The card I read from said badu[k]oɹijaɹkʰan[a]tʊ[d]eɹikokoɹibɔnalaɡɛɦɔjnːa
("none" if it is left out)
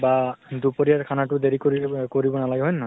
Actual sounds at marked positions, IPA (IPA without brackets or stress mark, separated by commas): p, a, d